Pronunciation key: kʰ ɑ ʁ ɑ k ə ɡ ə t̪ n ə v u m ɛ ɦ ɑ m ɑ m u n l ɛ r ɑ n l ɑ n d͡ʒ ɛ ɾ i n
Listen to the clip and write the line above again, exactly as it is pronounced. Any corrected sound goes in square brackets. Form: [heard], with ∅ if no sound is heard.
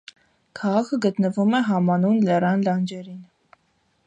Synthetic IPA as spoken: kʰ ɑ ʁ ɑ [kʰ] ə ɡ ə t̪ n ə v u m ɛ ɦ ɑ m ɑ [n] u n l ɛ r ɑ n l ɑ n d͡ʒ ɛ ɾ i n

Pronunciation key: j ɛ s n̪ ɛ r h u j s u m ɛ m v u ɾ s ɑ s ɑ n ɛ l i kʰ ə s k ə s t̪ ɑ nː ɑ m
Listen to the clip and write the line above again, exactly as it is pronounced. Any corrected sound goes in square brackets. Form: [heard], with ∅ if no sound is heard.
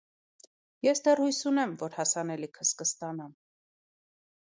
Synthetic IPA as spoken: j ɛ s [d̪] ɛ r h u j s u [n] ɛ m v [ɔ] ɾ [h] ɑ s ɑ n ɛ l i kʰ ə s k ə s t̪ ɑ [n] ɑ m

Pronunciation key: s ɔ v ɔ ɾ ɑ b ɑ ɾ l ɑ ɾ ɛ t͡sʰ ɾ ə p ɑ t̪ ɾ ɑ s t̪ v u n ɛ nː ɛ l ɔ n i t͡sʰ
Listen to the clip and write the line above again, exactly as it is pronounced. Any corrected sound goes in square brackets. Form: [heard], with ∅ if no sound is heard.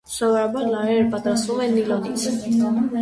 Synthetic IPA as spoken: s ɔ v ɔ ɾ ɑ b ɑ ɾ l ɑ ɾ ɛ [∅] ɾ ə p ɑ t̪ ɾ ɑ s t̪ v u [m] ɛ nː [i] l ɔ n i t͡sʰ

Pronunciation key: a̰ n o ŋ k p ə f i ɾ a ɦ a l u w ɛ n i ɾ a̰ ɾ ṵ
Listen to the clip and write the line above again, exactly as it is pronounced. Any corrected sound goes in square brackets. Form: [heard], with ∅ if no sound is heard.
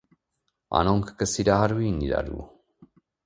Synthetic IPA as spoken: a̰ n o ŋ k [k] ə [s] i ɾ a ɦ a [ɾ] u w [i] n i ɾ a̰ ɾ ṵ

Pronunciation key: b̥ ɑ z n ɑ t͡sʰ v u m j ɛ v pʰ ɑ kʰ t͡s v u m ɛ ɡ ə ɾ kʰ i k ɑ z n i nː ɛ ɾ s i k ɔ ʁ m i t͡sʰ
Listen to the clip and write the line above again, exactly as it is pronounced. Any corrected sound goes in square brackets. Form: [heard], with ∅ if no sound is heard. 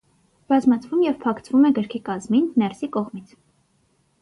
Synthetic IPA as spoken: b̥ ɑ z [m] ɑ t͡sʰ v u m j ɛ v pʰ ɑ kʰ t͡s v u m ɛ ɡ ə ɾ kʰ i k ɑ z [m] i nː ɛ ɾ s i k ɔ ʁ m i t͡sʰ

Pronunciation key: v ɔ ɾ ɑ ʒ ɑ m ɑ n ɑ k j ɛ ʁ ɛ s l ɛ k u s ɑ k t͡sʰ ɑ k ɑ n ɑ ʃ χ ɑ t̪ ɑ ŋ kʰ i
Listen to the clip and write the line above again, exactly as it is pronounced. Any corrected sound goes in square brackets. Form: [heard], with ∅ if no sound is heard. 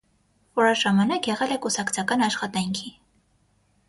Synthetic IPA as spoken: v ɔ ɾ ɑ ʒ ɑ m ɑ n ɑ k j ɛ ʁ ɛ [∅] l ɛ k u s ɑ k t͡sʰ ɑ k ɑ n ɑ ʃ χ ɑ t̪ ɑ ŋ kʰ i

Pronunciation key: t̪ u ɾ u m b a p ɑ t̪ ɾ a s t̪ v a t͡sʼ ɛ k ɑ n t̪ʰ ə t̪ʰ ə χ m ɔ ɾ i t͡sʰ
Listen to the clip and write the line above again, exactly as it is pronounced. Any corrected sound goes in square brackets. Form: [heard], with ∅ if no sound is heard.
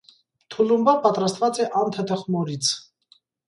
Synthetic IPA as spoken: [t̪ʰ] u [l] u m b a p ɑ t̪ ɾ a s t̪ v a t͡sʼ ɛ [ʔ] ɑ n t̪ʰ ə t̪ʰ ə χ m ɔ ɾ i t͡sʰ

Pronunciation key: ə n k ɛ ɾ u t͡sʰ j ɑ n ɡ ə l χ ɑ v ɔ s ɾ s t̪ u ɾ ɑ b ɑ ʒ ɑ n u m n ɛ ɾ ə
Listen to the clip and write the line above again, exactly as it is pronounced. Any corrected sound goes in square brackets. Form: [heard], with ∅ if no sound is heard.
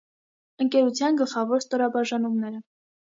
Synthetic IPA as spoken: ə [ŋ] k ɛ ɾ u t͡sʰ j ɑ n ɡ ə l χ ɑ v ɔ [∅] ɾ s t̪ [ɔ] ɾ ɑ b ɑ ʒ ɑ n u m n ɛ ɾ ə

